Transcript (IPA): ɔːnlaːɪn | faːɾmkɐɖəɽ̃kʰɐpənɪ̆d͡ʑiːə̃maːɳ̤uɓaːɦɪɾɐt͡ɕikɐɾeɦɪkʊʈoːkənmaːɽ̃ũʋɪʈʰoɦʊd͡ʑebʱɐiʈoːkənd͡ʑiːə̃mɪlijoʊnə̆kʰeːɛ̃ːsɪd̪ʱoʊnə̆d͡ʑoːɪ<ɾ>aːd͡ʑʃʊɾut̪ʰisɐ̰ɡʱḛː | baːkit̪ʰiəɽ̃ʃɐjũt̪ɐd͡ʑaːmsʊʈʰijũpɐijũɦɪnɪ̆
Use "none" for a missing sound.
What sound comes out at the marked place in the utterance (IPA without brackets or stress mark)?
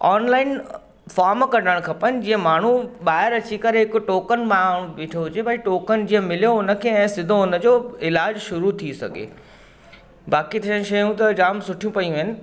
l